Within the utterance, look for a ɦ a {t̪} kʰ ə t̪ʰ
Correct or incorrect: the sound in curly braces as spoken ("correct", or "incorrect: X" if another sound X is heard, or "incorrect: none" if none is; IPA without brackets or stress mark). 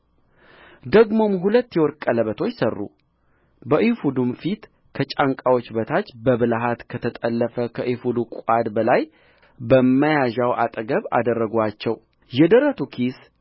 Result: correct